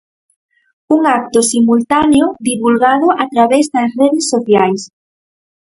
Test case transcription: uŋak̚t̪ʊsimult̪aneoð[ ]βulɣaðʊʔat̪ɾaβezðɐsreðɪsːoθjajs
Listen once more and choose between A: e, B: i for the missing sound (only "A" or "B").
B